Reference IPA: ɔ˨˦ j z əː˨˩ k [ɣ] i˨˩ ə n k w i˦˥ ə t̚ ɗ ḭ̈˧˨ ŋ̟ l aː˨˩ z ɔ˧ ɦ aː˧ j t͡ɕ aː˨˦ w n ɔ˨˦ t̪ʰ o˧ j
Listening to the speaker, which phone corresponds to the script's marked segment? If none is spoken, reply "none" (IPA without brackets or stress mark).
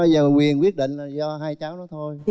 w